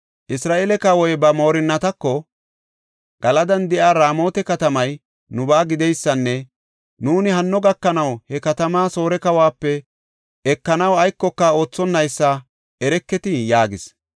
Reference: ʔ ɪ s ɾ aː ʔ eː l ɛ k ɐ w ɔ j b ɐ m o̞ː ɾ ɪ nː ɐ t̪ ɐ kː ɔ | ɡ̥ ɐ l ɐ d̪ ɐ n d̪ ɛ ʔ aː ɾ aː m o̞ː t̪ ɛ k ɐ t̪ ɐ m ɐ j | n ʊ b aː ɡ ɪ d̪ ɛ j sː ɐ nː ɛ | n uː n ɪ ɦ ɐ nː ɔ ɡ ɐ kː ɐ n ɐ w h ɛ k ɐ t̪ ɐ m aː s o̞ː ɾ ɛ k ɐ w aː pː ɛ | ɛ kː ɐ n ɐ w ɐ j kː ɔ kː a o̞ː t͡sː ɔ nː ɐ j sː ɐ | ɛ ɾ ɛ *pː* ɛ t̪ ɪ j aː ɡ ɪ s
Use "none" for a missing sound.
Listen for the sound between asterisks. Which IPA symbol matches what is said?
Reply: kː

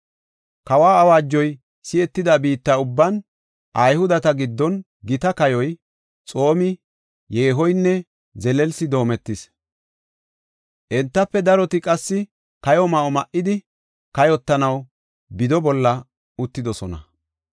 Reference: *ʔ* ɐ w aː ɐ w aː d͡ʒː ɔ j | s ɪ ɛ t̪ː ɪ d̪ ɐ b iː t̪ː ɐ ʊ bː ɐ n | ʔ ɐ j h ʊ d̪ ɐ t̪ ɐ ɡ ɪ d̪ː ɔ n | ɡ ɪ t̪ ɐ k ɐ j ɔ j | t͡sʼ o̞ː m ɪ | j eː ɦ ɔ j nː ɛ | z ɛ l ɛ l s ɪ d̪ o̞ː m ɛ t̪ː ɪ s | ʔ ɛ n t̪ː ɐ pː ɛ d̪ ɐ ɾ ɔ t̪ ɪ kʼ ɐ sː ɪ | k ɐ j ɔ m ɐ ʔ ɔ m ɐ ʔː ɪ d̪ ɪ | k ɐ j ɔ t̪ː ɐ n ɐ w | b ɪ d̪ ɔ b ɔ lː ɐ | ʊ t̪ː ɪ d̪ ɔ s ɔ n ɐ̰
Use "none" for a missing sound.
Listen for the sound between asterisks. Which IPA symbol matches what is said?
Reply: k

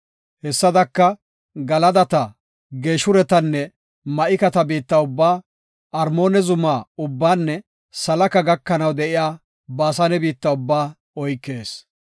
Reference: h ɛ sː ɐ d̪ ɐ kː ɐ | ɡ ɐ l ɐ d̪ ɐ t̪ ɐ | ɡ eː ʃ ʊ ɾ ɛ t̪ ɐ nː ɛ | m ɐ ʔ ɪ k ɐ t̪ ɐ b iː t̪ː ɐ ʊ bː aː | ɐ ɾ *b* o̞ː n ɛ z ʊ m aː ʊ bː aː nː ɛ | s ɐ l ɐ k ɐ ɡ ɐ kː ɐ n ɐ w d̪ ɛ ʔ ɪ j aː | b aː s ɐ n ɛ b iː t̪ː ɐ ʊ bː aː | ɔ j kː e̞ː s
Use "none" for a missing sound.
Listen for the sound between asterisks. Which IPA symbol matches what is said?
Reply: m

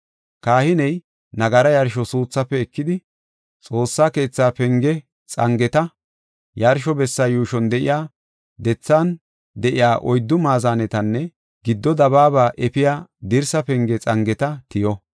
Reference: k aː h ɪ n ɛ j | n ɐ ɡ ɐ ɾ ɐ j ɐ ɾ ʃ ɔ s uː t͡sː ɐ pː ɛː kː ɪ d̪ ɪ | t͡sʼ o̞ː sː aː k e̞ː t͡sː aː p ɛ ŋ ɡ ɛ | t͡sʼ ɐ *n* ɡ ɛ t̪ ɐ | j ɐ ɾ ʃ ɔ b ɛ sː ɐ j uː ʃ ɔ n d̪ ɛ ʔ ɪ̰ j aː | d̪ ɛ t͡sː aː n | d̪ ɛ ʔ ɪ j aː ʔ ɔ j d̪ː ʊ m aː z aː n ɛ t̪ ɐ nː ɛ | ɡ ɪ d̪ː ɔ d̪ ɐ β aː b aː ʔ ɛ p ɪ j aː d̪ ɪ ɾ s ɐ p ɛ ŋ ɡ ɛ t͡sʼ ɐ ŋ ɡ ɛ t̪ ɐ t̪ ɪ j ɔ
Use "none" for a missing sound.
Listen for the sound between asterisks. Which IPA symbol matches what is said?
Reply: ŋ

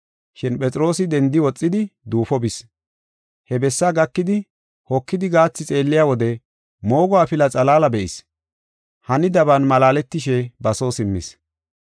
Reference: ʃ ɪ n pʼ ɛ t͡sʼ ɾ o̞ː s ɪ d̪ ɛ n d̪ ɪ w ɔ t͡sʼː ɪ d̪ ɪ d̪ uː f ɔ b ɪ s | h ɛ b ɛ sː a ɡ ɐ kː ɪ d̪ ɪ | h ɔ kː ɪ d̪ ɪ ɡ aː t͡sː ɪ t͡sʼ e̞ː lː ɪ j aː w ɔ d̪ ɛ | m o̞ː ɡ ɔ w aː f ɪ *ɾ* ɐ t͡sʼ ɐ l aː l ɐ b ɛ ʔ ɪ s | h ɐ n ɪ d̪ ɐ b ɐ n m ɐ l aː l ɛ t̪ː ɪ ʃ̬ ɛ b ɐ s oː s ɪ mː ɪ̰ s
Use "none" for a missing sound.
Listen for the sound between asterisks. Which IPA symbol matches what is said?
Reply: l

